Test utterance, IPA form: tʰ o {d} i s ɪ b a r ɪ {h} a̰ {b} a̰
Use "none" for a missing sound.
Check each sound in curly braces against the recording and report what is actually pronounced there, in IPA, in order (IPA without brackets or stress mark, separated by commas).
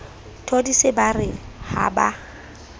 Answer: d, h, b